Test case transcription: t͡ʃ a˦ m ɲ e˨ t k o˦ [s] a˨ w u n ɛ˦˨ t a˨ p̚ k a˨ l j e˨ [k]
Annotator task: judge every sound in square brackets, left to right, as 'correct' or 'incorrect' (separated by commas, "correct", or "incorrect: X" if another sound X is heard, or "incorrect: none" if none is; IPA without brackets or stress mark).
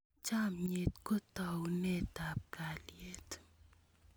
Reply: incorrect: t, incorrect: t